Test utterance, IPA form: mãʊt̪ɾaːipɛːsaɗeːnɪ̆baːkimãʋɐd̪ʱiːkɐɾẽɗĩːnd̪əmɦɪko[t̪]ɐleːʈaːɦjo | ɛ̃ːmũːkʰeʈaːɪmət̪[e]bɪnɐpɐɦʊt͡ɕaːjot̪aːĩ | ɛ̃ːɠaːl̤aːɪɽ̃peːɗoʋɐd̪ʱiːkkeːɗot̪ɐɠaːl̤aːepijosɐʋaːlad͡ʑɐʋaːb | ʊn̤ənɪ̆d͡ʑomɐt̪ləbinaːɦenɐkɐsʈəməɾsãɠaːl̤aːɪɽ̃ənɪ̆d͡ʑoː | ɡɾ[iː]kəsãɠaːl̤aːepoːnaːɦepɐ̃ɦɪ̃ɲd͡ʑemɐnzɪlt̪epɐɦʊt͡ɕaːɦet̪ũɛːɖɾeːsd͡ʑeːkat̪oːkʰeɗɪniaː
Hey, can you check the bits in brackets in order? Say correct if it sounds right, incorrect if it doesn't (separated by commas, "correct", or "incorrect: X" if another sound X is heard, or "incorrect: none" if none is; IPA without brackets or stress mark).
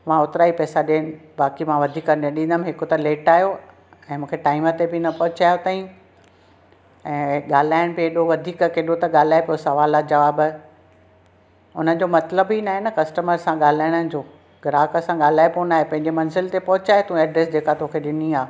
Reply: correct, correct, incorrect: aː